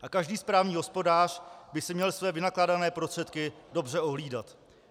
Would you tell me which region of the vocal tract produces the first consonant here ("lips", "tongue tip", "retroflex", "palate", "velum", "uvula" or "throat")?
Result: throat